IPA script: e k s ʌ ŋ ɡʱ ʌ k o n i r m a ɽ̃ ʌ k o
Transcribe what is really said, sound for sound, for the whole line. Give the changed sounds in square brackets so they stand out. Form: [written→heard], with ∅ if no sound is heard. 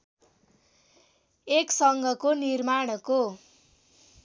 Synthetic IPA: e k s ʌ ŋ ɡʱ ʌ k o n i r m a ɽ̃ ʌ k o

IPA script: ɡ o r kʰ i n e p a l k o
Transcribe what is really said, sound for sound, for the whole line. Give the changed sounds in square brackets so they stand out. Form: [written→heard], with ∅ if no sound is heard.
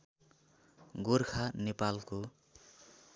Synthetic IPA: ɡ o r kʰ [i→a] n e p a l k o

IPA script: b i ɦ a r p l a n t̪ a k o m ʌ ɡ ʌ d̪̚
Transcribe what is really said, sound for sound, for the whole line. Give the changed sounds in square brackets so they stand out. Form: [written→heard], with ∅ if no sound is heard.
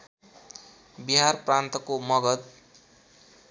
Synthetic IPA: b i ɦ a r p [l→r] a n t̪ [a→ʌ] k o m ʌ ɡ ʌ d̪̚

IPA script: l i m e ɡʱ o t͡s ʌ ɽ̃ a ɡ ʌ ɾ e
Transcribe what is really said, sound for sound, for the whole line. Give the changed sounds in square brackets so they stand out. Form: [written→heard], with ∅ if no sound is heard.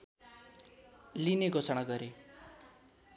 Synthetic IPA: l i [m→n] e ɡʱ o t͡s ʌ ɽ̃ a ɡ ʌ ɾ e

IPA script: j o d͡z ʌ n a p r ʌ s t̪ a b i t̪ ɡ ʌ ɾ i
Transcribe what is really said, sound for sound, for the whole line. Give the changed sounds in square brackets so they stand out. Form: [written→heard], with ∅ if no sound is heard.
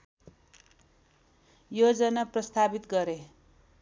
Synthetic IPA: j o d͡z ʌ n a p r ʌ s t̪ a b i t̪ ɡ ʌ ɾ [i→e]

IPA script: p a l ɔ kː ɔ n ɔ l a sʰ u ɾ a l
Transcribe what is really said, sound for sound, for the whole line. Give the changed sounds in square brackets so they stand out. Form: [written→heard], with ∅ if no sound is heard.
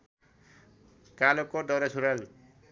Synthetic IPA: [p→k] a l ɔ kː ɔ [n→d] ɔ [l→ɾ] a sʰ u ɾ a l

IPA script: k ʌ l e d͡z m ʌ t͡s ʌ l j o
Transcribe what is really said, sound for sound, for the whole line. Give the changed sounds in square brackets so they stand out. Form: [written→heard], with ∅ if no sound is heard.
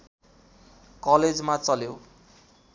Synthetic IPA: k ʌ l e d͡z m [ʌ→a] t͡s ʌ l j o

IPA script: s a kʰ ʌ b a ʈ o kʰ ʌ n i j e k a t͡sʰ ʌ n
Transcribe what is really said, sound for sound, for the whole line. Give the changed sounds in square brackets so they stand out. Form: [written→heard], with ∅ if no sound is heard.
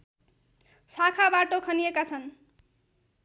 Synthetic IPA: s a kʰ [ʌ→a] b a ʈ o kʰ ʌ n i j e k a t͡sʰ ʌ n

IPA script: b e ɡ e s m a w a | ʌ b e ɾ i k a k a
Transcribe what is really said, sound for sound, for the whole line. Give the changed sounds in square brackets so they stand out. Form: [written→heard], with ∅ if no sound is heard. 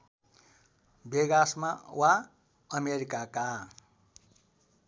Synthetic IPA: b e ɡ [e→a] s m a w a | ʌ [b→m] e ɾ i k a k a

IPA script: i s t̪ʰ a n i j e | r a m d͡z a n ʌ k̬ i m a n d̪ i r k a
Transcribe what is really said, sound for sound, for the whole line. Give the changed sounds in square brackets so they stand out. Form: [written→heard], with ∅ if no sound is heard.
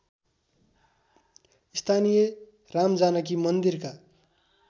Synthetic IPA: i s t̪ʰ a n i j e | r a m d͡z a n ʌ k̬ i m [a→ʌ] n d̪ i r k a

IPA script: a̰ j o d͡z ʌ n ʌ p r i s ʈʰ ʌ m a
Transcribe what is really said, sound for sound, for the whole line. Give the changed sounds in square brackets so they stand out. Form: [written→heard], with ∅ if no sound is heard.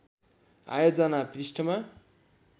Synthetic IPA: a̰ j o d͡z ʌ n [ʌ→a] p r i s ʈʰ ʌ m a

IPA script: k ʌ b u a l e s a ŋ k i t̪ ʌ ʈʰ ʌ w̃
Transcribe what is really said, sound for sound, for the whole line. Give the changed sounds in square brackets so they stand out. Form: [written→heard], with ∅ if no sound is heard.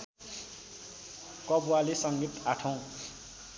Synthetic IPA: k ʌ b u a l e s [a→ʌ] ŋ [k→ɡ] i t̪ [ʌ→a] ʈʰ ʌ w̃

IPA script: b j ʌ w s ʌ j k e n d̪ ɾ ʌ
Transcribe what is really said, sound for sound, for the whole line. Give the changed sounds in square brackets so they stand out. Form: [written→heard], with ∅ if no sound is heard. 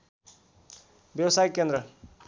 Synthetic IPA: b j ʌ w s [ʌ→a] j k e n d̪ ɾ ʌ

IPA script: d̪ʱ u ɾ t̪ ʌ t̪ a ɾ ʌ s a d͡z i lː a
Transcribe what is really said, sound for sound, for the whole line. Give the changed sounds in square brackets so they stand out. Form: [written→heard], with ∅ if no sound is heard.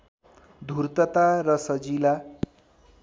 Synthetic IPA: d̪ʱ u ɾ t̪ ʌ t̪ a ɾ ʌ s [a→ʌ] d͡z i [lː→l] a

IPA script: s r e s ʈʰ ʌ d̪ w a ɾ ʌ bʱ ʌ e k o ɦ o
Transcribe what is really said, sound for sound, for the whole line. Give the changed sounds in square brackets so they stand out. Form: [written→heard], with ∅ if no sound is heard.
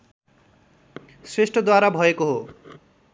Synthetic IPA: s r e s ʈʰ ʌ d̪ w a ɾ [ʌ→a] bʱ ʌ e k o ɦ o

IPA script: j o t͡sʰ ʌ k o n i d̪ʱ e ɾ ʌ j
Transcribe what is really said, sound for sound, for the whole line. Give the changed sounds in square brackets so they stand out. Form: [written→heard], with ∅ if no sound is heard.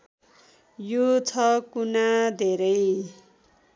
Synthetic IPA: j o t͡sʰ ʌ k [o→u] n [i→a] d̪ʱ e ɾ ʌ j

